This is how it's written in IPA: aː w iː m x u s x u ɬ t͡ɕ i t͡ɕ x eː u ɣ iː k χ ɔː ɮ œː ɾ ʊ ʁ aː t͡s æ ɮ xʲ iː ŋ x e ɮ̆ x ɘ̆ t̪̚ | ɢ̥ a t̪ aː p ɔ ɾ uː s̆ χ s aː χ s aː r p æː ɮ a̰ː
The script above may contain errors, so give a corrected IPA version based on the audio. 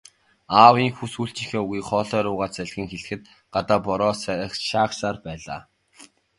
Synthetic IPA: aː w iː ŋ x u s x u ɬ t͡ɕ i x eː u ɣ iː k χ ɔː ɮ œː ɾ ʊː ʁ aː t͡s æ ɮ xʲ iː ŋ x e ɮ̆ x ɘ̆ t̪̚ | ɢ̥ a t̪ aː p ɔ ɾ ɔː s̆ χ ʃ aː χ s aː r p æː ɮ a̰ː